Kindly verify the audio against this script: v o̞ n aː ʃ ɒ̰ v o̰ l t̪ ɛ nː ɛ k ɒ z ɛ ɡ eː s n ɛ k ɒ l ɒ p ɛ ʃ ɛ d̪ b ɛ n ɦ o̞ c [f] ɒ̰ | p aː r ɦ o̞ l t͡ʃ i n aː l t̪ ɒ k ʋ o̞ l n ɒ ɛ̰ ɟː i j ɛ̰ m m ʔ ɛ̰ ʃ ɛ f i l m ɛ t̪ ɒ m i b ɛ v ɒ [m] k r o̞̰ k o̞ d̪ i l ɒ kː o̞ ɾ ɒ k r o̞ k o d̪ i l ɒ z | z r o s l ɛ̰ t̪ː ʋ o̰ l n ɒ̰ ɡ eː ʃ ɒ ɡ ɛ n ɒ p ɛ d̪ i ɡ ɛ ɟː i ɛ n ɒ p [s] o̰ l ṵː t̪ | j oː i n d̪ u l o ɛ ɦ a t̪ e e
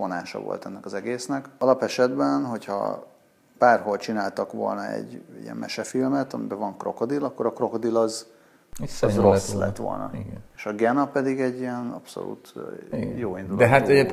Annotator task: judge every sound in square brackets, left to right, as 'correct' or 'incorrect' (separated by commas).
incorrect, incorrect, correct